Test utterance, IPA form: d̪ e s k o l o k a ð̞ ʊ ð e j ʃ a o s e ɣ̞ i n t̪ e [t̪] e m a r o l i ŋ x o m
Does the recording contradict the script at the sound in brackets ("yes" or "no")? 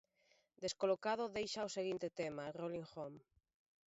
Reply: no